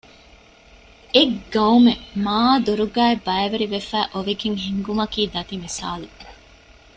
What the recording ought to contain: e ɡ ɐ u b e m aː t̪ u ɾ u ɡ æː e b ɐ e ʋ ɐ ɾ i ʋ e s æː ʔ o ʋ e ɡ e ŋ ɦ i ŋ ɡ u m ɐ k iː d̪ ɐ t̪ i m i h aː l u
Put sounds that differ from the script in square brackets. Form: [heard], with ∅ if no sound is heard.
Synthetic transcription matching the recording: e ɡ ɐ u [m] e m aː [d̪] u ɾ u ɡ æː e b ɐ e ʋ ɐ ɾ i ʋ e [f] æː ʔ o ʋ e ɡ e ŋ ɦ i ŋ ɡ u m ɐ k iː d̪ ɐ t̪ i m i [s] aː l u